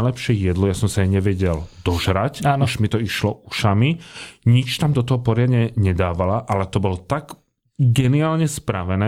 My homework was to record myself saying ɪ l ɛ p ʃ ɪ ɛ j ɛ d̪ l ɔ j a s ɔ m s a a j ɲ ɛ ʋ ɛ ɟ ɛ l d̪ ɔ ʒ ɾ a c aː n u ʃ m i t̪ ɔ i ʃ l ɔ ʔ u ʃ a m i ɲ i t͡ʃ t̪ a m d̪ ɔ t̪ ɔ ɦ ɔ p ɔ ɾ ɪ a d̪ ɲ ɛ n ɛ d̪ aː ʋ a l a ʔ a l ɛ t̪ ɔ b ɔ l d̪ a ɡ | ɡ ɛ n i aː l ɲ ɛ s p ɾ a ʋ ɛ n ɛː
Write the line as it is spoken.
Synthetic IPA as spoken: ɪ l ɛ p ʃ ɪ ɛ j ɛ d̪ l ɔ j a s ɔ m s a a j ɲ ɛ ʋ ɛ ɟ ɛ l d̪ ɔ ʒ ɾ a c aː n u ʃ m i t̪ ɔ i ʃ l ɔ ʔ u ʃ a m i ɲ i t͡ʃ t̪ a m d̪ ɔ t̪ ɔ ɦ ɔ p ɔ ɾ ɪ a d̪ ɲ ɛ ɲ ɛ d̪ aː ʋ a l a ʔ a l ɛ t̪ ɔ b ɔ l t̪ a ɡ | ɡ ɛ n i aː l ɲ ɛ s p ɾ a ʋ ɛ n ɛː